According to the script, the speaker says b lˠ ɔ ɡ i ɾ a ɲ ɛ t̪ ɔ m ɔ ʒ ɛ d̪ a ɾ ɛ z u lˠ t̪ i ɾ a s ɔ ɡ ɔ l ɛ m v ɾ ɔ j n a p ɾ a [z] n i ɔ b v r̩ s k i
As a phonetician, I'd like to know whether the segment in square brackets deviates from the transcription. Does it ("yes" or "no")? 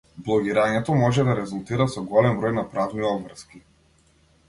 yes